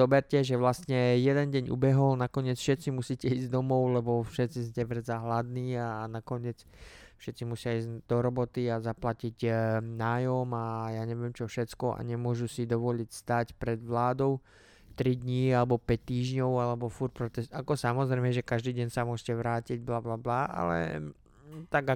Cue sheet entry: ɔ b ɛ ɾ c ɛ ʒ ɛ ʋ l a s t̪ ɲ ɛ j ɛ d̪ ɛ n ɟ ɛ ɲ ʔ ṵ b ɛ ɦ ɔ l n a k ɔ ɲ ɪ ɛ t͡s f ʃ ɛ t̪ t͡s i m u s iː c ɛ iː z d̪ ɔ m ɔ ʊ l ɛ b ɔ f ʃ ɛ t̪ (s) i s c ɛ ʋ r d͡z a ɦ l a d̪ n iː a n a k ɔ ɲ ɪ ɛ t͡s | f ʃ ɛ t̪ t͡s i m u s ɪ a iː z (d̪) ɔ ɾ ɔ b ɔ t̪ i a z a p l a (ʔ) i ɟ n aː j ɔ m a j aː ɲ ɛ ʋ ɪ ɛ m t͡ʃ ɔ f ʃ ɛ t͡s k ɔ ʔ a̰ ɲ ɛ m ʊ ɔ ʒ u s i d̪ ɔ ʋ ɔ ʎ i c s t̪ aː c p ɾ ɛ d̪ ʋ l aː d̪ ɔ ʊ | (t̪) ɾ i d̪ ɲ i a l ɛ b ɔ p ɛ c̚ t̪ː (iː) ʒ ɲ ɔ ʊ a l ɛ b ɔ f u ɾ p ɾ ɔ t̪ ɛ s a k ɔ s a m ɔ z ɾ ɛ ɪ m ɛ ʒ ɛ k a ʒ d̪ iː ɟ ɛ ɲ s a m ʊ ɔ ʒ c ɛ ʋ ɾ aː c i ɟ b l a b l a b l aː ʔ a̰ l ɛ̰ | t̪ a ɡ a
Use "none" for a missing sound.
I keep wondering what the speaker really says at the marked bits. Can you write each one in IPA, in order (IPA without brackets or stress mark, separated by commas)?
t͡s, d̪, c, t̪, iː